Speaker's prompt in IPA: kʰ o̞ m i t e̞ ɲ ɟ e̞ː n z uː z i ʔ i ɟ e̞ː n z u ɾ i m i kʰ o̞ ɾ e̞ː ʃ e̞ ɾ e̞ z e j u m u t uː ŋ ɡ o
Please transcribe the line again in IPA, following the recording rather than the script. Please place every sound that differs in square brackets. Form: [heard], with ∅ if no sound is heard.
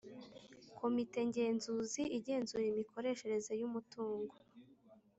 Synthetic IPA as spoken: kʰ o̞ m i t e̞ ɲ ɟ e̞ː n z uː z i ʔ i ɟ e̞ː n z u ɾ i m i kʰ o̞ ɾ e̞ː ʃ e̞ ɾ e̞ z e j u m u t uː ŋ ɡ o